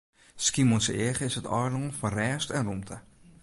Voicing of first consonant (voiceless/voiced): voiceless